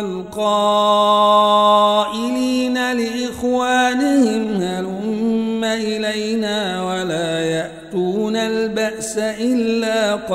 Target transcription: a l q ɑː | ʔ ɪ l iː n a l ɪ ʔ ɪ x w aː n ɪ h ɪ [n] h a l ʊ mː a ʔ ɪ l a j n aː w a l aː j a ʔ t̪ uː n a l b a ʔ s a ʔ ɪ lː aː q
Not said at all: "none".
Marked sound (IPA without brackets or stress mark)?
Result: m